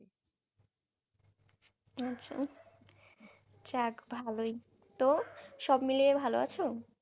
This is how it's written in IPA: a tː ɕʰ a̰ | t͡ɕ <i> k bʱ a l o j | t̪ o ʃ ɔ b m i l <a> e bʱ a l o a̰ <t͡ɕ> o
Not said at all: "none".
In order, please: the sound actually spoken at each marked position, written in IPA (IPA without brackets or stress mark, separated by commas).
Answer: a, i, t͡ɕʰ